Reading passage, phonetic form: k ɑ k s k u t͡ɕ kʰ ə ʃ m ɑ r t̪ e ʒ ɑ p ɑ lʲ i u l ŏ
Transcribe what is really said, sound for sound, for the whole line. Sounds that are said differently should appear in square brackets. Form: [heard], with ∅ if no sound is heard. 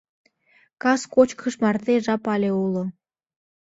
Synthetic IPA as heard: k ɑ [∅] s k [o] t͡ɕ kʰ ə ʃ m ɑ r t̪ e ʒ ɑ p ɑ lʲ [e] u l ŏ

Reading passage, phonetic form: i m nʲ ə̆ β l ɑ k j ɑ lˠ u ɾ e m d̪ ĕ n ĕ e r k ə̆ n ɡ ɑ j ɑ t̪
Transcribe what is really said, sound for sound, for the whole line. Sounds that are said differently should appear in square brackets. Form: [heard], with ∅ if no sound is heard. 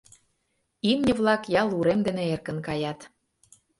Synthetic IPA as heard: i m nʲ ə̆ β l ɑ k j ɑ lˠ u ɾ e m d̪ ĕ n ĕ e r k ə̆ n [k] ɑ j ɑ t̪

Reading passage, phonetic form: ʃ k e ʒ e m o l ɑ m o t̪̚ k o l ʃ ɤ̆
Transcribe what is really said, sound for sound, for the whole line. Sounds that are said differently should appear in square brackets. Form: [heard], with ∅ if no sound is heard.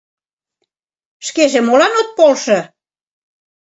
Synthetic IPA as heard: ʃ k e ʒ e m o l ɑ [n] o t̪̚ [p] o l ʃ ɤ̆

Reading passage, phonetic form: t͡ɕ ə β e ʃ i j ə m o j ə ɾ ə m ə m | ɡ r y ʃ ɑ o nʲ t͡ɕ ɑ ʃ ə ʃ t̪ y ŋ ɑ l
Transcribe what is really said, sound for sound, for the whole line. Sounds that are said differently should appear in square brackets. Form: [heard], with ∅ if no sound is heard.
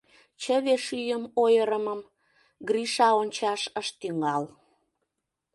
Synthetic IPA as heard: t͡ɕ ə β e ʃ [y] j ə m o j ə ɾ ə m ə m | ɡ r [i] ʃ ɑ o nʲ t͡ɕ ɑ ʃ ə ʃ t̪ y ŋ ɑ l

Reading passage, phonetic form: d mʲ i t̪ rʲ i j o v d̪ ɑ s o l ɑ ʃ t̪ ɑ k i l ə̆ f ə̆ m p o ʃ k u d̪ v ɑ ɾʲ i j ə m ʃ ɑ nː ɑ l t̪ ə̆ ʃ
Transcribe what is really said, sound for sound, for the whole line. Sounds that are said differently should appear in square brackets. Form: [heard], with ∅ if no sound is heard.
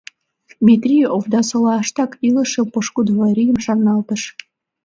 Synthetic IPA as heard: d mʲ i t̪ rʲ i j o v d̪ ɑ s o l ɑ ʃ t̪ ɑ k i l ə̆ [ʃ] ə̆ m p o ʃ k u d̪ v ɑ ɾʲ i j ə m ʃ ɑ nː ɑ l t̪ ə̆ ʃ

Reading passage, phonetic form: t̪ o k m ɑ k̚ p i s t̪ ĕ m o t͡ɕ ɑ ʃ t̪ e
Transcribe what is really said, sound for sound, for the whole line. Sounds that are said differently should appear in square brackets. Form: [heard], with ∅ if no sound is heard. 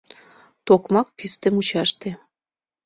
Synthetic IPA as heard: t̪ o k m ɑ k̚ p i s t̪ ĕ m [u] t͡ɕ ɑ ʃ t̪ e

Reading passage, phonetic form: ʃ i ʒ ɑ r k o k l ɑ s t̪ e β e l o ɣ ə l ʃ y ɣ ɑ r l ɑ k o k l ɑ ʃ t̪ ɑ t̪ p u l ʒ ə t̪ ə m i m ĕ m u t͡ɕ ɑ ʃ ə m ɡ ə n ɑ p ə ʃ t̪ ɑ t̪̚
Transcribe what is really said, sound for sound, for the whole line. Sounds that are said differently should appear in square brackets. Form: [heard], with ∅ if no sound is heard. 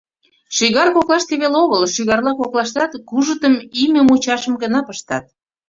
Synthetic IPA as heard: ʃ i [ɣ] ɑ r k o k l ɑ [ʃ] t̪ e β e l o ɣ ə l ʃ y ɣ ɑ r l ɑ k o k l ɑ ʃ t̪ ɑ t̪ [k] u [∅] ʒ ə t̪ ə m i m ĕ m u t͡ɕ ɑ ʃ ə m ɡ ə n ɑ p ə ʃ t̪ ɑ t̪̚

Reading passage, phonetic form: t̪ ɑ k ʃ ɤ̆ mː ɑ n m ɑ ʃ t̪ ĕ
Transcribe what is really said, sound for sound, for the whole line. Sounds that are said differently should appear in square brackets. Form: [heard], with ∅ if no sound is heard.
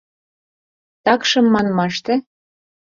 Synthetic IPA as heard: t̪ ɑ k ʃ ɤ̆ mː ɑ n m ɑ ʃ t̪ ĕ

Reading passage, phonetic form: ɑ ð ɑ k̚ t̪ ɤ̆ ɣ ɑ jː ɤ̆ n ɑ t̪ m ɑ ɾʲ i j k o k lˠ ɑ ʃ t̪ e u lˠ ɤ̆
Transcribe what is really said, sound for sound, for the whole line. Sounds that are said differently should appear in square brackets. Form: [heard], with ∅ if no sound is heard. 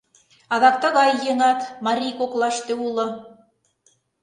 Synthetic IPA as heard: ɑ ð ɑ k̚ t̪ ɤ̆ ɣ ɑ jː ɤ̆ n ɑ t̪ m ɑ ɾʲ i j k o k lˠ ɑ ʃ t̪ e u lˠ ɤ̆

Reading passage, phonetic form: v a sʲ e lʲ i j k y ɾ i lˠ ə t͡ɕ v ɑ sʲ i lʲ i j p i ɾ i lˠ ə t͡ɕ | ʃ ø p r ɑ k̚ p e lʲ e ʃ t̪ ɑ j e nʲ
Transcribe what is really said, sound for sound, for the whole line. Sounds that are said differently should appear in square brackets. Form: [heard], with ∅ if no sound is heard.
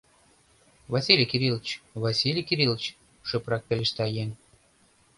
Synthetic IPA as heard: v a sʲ [i] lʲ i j k [i] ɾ i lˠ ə t͡ɕ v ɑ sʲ i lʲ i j [k] i ɾ i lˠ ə t͡ɕ | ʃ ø p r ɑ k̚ p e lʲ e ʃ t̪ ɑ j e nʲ

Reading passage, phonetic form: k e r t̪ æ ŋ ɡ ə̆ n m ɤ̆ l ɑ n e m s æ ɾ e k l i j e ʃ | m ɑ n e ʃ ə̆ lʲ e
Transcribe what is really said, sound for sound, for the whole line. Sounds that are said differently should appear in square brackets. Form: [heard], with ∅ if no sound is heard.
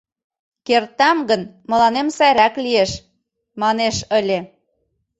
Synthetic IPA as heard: k e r t̪ æ [m] ɡ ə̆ n m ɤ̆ l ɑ n e m s æ ɾ [æ] k l i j e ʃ | m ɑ n e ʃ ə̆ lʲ e

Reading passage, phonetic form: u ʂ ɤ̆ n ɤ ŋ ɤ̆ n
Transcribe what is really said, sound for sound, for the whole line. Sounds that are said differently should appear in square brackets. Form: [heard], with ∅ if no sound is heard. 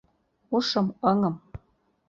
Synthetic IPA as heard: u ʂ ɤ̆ [m] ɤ ŋ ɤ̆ [m]

